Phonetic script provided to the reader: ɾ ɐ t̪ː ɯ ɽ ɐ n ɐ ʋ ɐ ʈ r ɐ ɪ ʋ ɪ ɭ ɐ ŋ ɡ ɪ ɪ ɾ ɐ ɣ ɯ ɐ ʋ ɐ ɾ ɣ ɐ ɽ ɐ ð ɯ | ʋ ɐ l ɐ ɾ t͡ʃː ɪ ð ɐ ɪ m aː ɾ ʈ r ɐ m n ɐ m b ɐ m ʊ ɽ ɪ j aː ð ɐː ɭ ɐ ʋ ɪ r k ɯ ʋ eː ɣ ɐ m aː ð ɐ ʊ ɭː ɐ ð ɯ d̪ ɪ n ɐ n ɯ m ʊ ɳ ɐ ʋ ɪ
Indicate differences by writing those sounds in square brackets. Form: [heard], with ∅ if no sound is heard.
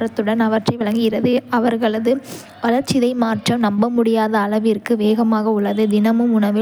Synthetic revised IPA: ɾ ɐ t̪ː ɯ ɽ ɐ n ɐ ʋ ɐ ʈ r ɐ ɪ ʋ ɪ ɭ ɐ ŋ ɡ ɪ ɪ ɾ ɐ [ð] ɯ ɐ ʋ ɐ ɾ ɣ ɐ [ɭ] ɐ ð ɯ | ʋ ɐ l ɐ ɾ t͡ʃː ɪ ð ɐ ɪ m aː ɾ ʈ r ɐ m n ɐ m b ɐ m ʊ ɽ ɪ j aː ð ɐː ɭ ɐ ʋ ɪ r k ɯ ʋ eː ɣ ɐ m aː [ɣ] ɐ ʊ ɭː ɐ ð ɯ d̪ ɪ n ɐ [m] ɯ m ʊ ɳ ɐ ʋ ɪ